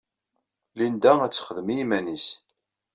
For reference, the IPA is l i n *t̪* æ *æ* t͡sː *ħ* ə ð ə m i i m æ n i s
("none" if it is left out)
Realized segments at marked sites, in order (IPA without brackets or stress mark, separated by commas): d̪, æ, χ